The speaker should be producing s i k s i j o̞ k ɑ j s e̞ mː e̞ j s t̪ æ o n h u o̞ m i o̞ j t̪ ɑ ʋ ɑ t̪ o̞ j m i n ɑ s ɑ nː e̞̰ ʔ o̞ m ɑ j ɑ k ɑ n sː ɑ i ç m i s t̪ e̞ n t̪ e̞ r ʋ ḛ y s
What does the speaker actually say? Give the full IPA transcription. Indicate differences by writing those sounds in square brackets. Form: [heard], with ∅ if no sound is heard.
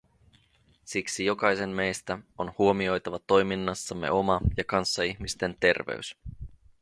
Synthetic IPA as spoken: s i k s i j o̞ k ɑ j s e̞ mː e̞ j s t̪ æ o n h u o̞ m i o̞ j t̪ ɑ ʋ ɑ t̪ o̞ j m i [nː] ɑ [sː] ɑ [mː] e̞̰ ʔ o̞ m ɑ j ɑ k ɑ n sː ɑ i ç m i s t̪ e̞ n t̪ e̞ r ʋ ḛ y s